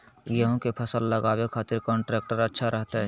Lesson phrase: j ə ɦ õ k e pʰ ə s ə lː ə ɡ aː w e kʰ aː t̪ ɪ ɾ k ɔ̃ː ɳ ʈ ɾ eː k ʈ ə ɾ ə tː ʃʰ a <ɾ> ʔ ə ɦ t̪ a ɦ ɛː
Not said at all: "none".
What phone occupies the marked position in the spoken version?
ɾ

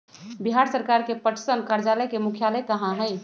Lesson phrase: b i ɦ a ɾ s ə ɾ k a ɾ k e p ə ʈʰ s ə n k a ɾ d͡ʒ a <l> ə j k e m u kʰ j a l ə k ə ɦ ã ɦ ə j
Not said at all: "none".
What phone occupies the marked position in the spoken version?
l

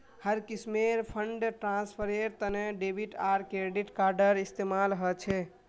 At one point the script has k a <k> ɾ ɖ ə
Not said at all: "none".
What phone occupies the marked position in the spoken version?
none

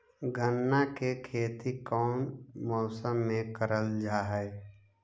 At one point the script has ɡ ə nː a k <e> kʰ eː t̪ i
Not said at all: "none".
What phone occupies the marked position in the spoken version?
e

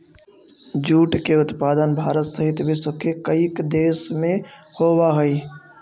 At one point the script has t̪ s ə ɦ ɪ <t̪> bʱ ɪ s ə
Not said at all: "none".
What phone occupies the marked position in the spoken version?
t̪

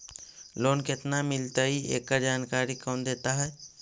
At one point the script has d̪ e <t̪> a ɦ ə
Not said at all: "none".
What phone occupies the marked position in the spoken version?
t̪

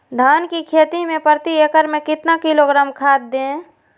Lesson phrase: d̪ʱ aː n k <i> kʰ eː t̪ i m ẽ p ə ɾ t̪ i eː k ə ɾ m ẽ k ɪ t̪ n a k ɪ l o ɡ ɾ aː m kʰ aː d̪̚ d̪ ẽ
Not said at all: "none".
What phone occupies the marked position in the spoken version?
i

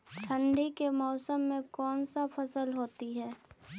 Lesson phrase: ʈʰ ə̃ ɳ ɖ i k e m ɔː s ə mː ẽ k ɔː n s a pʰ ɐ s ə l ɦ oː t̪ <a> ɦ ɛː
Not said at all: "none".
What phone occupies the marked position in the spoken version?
i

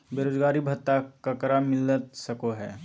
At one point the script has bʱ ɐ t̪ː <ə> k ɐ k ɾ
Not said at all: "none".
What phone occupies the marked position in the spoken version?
a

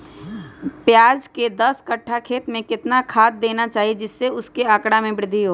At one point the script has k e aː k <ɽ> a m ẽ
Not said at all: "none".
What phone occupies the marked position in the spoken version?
ɽ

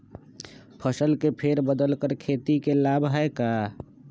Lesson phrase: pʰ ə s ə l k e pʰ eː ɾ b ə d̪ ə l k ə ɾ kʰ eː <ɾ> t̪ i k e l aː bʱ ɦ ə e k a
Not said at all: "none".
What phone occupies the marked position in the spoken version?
none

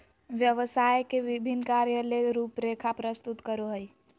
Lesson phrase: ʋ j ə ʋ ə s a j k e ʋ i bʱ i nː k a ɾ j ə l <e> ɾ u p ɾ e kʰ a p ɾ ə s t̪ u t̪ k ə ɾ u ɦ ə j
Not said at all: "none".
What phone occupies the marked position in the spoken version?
e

